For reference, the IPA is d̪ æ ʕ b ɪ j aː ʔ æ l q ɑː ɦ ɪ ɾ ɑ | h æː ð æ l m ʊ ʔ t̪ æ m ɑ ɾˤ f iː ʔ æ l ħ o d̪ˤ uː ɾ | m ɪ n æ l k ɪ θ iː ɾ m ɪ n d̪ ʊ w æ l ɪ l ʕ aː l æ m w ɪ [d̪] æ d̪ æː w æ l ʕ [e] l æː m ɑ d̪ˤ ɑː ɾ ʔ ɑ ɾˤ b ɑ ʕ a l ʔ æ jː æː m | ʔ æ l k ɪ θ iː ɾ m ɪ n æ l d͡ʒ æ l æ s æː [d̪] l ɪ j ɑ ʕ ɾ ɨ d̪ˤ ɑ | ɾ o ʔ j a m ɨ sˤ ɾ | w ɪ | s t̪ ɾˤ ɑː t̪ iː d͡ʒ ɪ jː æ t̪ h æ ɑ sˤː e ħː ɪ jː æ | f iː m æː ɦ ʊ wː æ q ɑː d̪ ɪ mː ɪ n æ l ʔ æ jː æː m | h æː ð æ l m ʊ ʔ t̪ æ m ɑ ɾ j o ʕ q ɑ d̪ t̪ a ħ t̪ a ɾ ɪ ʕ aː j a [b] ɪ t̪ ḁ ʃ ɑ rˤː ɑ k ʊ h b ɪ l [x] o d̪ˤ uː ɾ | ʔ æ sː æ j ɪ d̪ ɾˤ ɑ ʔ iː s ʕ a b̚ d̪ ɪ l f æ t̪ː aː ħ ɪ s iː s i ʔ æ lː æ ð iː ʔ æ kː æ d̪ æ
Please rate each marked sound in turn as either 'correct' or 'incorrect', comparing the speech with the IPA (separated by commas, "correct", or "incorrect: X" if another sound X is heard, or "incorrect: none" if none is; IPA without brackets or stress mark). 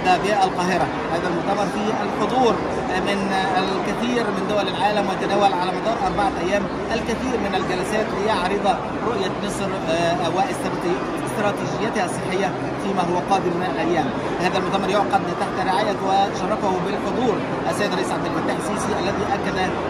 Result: incorrect: t̪, incorrect: a, incorrect: t̪, incorrect: w, incorrect: ħ